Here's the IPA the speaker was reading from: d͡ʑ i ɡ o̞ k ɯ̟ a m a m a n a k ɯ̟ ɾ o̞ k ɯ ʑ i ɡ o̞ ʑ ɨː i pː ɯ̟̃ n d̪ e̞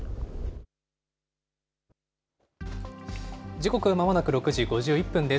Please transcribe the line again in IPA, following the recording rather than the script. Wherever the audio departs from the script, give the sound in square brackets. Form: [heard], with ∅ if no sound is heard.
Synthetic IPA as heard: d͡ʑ i [k] o̞ k ɯ̟ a m a m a n a k ɯ̟ ɾ o̞ k ɯ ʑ i ɡ o̞ ʑ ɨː i pː ɯ̟̃ n d̪ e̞

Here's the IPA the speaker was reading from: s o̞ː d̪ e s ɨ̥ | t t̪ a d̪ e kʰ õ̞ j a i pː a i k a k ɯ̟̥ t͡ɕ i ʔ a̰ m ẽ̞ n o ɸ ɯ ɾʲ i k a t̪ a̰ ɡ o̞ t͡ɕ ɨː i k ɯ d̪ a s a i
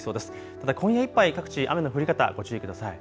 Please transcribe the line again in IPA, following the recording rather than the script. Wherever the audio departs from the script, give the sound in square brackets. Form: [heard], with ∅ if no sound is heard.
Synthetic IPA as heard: s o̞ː d̪ e s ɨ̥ | t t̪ a d̪ [a] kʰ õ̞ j a i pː a i k a k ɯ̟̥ t͡ɕ i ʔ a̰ m [e̞] n o ɸ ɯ ɾʲ i k a t̪ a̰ ɡ o̞ t͡ɕ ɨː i k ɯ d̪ a s a i

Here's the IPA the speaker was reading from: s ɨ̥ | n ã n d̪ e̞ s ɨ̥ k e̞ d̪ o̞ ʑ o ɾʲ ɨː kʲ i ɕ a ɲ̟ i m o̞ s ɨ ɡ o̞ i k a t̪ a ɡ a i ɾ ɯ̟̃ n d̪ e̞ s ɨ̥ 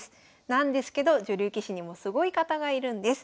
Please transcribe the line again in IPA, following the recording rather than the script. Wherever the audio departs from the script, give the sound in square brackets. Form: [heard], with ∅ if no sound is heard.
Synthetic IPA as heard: s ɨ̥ | n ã n d̪ e̞ s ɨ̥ k e̞ d̪ o̞ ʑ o ɾʲ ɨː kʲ i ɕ [i] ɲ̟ i m o̞ s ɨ ɡ o̞ i k a t̪ a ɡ a i ɾ ɯ̟̃ n d̪ e̞ s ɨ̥

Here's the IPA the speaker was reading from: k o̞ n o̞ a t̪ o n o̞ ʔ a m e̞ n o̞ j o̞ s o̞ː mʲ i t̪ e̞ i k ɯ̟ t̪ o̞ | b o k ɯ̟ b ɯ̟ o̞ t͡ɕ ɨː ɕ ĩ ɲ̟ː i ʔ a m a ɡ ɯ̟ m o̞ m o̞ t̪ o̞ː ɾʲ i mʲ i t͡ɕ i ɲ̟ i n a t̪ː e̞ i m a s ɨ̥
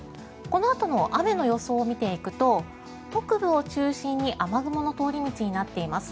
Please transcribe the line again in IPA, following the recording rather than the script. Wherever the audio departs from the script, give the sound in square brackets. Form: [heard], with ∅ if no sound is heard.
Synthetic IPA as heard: k o̞ n o̞ a t̪ o n o̞ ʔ a m e̞ n o̞ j o̞ s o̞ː mʲ i t̪ e̞ i k ɯ̟ t̪ o̞ | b o k ɯ̟ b ɯ̟ o̞ t͡ɕ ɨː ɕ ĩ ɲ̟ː i ʔ a m a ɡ ɯ̟ m o̞ [n] o̞ t̪ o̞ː ɾʲ i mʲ i t͡ɕ i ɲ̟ i n a t̪ː e̞ i m a s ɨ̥

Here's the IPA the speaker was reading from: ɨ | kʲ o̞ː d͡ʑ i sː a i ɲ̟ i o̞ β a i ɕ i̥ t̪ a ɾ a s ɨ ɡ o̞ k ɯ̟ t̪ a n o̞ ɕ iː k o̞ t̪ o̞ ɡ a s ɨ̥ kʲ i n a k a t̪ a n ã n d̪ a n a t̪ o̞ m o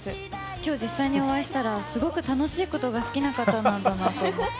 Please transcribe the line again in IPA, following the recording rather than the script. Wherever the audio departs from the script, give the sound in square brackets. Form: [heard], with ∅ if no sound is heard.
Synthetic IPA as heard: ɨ | kʲ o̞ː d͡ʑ i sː a i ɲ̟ i o̞ β a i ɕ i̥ t̪ a ɾ a s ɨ ɡ o̞ k ɯ̟ t̪ a n o̞ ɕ iː k o̞ t̪ o̞ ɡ a s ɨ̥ kʲ i n a k a t̪ a n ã n d̪ a n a t̪ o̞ m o

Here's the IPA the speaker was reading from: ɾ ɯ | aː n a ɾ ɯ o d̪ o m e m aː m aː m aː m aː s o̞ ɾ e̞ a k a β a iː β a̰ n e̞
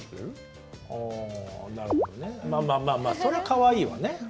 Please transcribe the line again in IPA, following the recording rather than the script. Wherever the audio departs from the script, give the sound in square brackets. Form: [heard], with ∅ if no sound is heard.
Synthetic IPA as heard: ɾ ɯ | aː n a ɾ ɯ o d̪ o [n] e m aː m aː m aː m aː s o̞ ɾ e̞ a k a β a iː β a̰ n e̞

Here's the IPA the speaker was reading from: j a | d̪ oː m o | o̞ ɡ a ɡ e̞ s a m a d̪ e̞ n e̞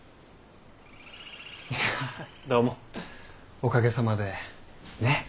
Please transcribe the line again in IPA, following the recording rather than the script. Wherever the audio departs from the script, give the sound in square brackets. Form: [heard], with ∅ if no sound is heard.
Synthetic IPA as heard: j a | d̪ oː m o | o̞ [k] a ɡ e̞ s a m a d̪ e̞ n e̞

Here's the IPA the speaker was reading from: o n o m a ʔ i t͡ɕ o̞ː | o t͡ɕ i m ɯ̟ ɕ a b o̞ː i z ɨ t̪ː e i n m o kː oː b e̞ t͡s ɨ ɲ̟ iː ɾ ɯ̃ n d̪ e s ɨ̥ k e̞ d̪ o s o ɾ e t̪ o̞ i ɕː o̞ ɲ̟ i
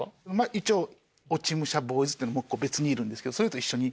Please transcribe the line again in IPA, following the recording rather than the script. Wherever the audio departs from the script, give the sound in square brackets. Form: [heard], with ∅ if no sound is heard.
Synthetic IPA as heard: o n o m a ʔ i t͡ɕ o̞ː | o t͡ɕ i m ɯ̟ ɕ a b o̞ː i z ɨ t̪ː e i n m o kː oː b e̞ t͡s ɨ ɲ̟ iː ɾ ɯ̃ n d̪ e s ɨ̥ k e̞ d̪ o s o ɾ e t̪ o̞ i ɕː o̞ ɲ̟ i

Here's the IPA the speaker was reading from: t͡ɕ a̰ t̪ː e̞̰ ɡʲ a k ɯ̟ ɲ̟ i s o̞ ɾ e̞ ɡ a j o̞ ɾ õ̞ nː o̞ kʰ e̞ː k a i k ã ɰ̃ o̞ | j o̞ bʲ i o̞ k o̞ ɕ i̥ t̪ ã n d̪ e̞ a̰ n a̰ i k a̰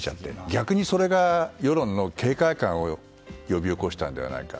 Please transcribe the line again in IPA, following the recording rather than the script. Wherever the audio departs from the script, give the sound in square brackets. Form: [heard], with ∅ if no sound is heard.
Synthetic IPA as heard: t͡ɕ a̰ t̪ː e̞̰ ɡʲ a k ɯ̟ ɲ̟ i s o̞ ɾ e̞ ɡ a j o̞ ɾ õ̞ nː o̞ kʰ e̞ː k a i k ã ɰ̃ o̞ | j o̞ bʲ i o̞ k o̞ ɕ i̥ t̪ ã n d̪ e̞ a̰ n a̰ i k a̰

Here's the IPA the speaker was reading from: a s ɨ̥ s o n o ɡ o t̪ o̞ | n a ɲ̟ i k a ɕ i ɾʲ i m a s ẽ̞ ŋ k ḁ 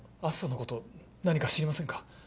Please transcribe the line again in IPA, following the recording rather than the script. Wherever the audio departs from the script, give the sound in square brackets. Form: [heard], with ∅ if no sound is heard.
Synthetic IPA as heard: a s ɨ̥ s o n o [k] o t̪ o̞ | n a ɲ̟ i k a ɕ i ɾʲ i m a s ẽ̞ ŋ k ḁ

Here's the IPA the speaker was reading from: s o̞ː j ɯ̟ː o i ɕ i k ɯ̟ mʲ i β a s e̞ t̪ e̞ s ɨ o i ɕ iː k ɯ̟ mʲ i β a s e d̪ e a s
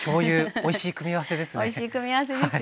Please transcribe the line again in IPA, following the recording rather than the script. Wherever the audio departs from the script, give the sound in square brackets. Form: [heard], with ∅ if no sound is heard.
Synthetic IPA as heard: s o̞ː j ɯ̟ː o i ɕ [iː] k ɯ̟ mʲ i β a s e̞ [d̪] e̞ s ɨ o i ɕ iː k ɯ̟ mʲ i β a s e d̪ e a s

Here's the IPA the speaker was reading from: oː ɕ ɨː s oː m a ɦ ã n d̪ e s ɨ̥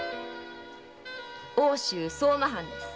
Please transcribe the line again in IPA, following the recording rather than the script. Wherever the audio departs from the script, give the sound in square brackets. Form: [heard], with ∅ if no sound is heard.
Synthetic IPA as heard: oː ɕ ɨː s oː m a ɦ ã n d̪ e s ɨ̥

